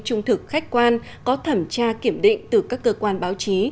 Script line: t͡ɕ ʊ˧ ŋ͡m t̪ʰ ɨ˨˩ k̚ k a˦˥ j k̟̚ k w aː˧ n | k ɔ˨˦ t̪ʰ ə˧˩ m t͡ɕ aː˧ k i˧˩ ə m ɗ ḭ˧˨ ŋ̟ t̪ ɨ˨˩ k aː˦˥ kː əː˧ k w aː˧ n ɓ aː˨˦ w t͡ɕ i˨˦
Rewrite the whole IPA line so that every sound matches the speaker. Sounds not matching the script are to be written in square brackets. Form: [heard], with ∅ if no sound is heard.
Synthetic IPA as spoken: t͡ɕ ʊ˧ ŋ͡m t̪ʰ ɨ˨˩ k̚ [x] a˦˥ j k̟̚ k w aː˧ n | k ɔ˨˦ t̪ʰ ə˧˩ m t͡ɕ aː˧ k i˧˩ ə m ɗ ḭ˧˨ ŋ̟ t̪ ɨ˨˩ k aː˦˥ kː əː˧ k w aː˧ n ɓ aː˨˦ w t͡ɕ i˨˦